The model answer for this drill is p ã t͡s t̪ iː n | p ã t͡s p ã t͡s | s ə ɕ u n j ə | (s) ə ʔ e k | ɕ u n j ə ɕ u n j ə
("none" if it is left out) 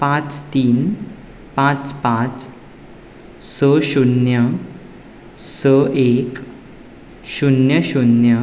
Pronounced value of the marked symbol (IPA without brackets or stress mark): s